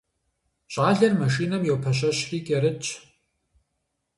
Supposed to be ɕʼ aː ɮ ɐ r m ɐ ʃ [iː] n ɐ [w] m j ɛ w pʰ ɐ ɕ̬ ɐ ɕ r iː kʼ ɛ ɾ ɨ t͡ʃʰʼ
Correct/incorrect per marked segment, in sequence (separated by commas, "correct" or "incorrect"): correct, incorrect